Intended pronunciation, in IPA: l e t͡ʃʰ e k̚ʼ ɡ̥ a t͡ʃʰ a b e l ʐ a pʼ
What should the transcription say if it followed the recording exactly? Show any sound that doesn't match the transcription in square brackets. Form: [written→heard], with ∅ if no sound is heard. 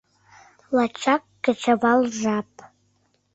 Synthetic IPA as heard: l [e→a] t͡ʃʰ [e→a] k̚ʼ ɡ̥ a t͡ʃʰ a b [e→a] l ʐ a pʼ